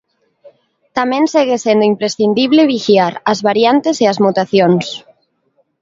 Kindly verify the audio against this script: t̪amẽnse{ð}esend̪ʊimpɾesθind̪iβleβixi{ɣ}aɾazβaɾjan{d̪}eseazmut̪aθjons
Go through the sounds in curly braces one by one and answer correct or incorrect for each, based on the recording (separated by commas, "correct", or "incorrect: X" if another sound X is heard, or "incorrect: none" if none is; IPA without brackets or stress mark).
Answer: incorrect: ɣ, incorrect: none, incorrect: t̪